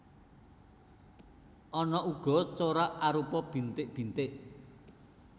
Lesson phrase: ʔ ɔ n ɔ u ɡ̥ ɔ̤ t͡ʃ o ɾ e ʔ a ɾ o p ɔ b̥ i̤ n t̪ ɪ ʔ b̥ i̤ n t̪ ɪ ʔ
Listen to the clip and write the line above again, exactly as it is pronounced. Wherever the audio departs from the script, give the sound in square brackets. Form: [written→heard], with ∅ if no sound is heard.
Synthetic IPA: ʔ ɔ n ɔ u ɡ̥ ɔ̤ t͡ʃ o ɾ [e→a] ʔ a ɾ [o→u] p ɔ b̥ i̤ n t̪ ɪ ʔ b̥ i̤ n t̪ ɪ ʔ